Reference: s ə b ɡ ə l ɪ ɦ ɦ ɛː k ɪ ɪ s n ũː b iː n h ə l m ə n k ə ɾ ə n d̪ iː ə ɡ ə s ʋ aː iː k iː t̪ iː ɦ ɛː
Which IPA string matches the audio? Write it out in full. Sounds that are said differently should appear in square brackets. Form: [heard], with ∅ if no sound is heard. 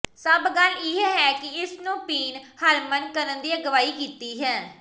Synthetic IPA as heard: s ə b ɡ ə l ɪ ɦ ɦ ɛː k ɪ ɪ s n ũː [p] iː n h ə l m ə n k ə ɾ ə n d̪ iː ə ɡ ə [∅] ʋ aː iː k iː t̪ iː ɦ ɛː